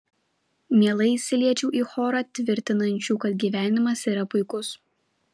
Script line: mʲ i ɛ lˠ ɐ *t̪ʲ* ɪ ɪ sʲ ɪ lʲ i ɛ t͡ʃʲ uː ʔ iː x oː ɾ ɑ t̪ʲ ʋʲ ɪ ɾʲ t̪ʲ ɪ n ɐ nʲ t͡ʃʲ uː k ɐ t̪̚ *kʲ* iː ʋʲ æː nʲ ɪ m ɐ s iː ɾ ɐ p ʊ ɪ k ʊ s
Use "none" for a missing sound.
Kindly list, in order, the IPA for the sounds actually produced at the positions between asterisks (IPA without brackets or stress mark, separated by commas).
none, ɡʲ